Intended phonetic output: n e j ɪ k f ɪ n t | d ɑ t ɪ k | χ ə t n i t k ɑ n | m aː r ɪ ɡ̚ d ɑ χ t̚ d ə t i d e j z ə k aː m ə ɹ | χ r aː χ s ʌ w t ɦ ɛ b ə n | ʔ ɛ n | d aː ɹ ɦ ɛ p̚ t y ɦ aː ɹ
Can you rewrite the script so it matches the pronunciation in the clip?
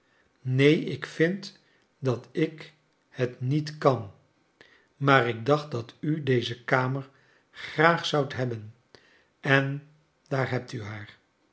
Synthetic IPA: n e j ɪ k f ɪ n t | d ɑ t ɪ k | h ə t n i t k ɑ n | m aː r ɪ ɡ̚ d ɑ χ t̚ d ɑ t y d e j z ə k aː m ə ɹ | χ r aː χ s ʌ w t ɦ ɛ b ə n | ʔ ɛ n | d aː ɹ ɦ ɛ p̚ t y ɦ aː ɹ